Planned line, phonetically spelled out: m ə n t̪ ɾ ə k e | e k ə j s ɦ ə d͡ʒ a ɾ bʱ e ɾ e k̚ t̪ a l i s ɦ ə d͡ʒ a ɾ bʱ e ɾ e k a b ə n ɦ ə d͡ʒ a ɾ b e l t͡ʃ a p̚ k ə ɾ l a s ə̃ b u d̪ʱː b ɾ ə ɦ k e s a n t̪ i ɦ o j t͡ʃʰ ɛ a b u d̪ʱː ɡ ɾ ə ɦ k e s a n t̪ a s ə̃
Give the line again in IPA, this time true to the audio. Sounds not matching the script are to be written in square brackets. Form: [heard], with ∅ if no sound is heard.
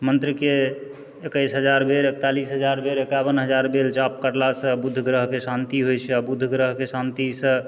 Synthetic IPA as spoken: m ə n t̪ ɾ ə k e | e k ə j s ɦ ə d͡ʒ a ɾ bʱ e ɾ e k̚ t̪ a l i s ɦ ə d͡ʒ a ɾ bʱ e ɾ e k a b ə n ɦ ə d͡ʒ a ɾ b e l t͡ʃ a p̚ k ə ɾ l a s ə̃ b u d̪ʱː [ɡ] ɾ ə ɦ k e s a n t̪ i ɦ o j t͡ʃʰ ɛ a b u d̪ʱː ɡ ɾ ə ɦ k e s a n t̪ [i] s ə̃